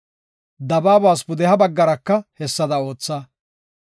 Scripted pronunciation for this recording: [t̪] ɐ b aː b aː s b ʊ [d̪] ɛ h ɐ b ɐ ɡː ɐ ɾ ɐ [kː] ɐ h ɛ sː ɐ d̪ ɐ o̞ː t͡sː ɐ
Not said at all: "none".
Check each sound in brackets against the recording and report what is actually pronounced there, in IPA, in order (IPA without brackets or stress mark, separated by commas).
d̪, d̪, kː